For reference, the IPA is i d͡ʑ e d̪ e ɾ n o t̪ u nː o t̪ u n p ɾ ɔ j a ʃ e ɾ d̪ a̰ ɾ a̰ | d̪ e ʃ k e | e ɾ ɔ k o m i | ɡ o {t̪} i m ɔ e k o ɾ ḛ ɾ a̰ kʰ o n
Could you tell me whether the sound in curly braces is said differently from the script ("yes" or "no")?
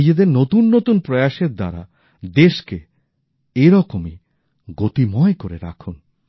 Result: no